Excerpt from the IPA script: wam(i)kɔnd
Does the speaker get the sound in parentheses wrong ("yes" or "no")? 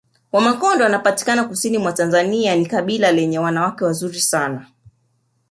yes